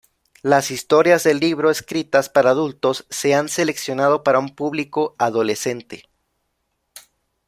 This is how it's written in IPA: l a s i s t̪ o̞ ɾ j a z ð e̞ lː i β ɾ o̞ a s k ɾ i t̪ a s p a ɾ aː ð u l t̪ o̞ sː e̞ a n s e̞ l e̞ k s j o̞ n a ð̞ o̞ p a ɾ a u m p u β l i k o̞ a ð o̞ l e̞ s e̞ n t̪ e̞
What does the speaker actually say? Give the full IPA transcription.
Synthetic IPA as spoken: l a s i s t̪ o̞ ɾ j a z ð e̞ lː i β ɾ o̞ e s k ɾ i t̪ a s p a ɾ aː ð u l t̪ o̞ sː e̞ a n s e̞ l e̞ k s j o̞ n a ð̞ o̞ p a ɾ a u m p u β l i k o̞ a ð o̞ l e̞ s e̞ n t̪ e̞